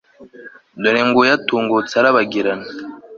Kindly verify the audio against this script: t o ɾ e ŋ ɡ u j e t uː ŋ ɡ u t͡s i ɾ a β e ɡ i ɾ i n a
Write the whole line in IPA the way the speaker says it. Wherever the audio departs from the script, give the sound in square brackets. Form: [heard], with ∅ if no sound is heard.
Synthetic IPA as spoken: [d] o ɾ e ŋ ɡ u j [a] t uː ŋ ɡ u t͡s [a] ɾ a β [a] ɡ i ɾ [a] n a

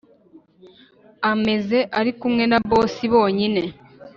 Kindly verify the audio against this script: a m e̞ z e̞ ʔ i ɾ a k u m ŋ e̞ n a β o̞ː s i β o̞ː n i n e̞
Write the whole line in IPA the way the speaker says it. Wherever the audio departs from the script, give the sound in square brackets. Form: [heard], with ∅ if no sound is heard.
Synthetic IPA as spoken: a m e̞ z e̞ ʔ [a] ɾ [i] k u m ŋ e̞ n a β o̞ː s i β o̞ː [ɲ] i n e̞

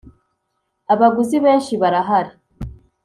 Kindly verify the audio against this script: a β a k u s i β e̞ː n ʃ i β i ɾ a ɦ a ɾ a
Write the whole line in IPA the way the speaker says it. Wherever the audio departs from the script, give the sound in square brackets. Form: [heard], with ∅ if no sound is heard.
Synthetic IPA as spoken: a β a [ɡ] u [z] i β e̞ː n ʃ i β [a] ɾ a ɦ a ɾ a

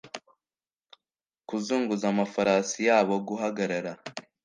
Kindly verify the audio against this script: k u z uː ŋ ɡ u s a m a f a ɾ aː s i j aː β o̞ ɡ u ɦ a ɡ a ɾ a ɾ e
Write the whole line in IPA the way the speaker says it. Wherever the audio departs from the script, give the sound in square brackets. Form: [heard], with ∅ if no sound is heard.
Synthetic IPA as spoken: k u z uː ŋ ɡ u [z] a m a f a ɾ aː s i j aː β o̞ ɡ u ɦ a ɡ a ɾ a ɾ [a]

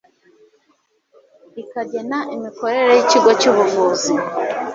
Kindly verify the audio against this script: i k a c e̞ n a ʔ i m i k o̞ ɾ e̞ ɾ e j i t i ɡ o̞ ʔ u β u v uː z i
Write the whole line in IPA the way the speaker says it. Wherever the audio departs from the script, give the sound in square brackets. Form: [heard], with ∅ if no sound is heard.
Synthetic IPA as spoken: i k a [ɟ] e̞ n a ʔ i m i k o̞ ɾ e̞ ɾ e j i [c] i ɡ o̞ [c] u β u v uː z i

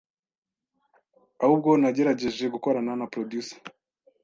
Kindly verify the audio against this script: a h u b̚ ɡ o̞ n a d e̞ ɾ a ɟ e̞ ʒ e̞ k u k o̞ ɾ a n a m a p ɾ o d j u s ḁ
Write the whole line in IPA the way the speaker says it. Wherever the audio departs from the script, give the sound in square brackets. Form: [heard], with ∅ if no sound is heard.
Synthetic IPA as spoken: a h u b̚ ɡ o̞ n a [ɟ] e̞ ɾ a ɟ e̞ ʒ e̞ [ɡ] u k o̞ ɾ a n a [n] a p ɾ o d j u s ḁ

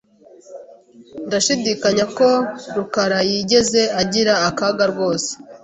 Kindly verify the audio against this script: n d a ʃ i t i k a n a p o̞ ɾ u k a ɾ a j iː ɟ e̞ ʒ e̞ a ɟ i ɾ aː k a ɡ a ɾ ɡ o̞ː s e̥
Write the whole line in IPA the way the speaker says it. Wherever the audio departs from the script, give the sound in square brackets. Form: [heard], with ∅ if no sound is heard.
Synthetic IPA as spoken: n d a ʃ i [d] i k a [ɲ] a [k] o̞ ɾ u k a ɾ a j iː ɟ e̞ [z] e̞ a ɟ i ɾ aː k a ɡ a ɾ ɡ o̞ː s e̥

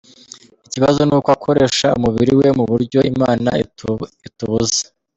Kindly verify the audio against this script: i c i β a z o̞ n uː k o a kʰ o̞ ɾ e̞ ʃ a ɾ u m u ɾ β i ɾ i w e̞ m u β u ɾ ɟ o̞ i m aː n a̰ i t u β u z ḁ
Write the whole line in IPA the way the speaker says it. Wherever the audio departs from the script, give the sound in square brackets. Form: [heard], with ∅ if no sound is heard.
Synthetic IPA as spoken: i c i β a z o̞ n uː k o a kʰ o̞ ɾ e̞ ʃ a [∅] u m u [∅] β i ɾ i w e̞ m u β u ɾ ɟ o̞ i m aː n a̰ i t u β u z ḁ

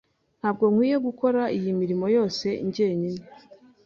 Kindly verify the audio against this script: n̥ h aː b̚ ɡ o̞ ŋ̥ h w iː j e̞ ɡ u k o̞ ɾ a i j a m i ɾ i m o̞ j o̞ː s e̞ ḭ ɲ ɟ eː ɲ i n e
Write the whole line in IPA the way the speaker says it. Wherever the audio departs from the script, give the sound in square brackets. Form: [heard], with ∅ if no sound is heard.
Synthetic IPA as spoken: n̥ h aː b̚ ɡ o̞ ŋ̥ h w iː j e̞ ɡ u k o̞ ɾ a i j [i] m i ɾ i m o̞ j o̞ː s e̞ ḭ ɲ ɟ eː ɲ i n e

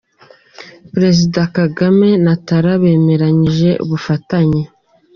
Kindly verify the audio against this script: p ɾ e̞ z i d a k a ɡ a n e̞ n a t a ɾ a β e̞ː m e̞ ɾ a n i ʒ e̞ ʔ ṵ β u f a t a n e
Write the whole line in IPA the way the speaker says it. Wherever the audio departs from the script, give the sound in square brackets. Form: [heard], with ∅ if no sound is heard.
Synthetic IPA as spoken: p ɾ e̞ z i d a k a ɡ a [m] e̞ n a t a ɾ a β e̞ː m e̞ ɾ a [ɲ] i ʒ e̞ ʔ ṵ β u f a t a [ɲ] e

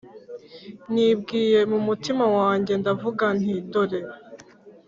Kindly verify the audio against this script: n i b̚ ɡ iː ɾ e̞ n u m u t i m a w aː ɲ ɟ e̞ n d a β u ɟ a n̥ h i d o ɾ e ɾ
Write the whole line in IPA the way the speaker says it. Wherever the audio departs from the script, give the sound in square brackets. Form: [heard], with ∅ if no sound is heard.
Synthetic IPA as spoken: n i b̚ ɡ iː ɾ e̞ [m] u m u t i m a w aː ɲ ɟ e̞ n d a [v] u [ɡ] a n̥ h i d o ɾ e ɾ

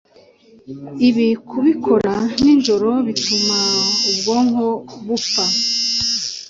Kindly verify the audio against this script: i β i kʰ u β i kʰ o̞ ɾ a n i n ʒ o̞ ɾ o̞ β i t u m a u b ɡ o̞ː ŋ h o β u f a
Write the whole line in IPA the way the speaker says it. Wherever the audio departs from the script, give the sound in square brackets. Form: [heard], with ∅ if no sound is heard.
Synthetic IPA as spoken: i β i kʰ u β i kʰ o̞ ɾ a n i n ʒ o̞ ɾ o̞ β i t u m a u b ɡ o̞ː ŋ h o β u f a

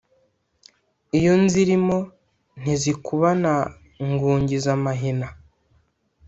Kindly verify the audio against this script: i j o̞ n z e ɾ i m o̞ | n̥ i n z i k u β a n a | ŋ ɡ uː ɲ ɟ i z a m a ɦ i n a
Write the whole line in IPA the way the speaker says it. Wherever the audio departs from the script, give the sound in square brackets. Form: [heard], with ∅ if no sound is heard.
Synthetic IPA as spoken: i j o̞ n z [i] ɾ i m o̞ | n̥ i [∅] z i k u β a n a | ŋ ɡ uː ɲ ɟ i z a m a ɦ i n a

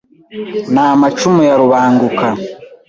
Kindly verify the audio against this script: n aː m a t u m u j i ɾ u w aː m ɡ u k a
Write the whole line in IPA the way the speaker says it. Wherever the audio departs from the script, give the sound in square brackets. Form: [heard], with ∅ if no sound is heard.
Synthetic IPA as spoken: n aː m a [t͡ʃ] u m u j [a] ɾ u [β] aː [ŋ] ɡ u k a

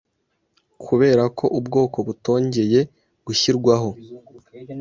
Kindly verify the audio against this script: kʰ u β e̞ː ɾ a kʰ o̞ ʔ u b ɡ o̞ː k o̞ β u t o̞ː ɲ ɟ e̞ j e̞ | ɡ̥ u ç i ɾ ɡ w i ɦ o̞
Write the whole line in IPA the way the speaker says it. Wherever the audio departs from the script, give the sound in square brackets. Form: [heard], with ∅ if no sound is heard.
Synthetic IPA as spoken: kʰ u β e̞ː ɾ a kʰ o̞ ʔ u b ɡ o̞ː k o̞ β u t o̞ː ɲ ɟ e̞ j e̞ | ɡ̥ u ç i ɾ ɡ w [a] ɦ o̞

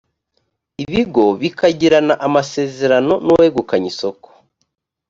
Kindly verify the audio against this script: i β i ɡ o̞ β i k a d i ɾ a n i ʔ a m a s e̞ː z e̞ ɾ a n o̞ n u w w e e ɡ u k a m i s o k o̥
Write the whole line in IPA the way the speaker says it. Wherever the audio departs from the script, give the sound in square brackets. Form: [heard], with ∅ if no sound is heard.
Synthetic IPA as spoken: i β i ɡ o̞ β i k a [ɟ] i ɾ a n [a] ʔ a m a s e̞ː z e̞ ɾ a n o̞ n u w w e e ɡ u k a [ɲ] i s o k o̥

